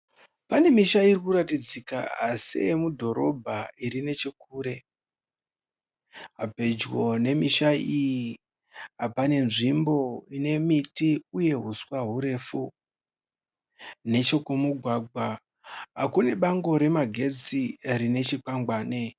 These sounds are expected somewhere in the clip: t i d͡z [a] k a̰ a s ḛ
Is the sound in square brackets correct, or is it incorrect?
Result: incorrect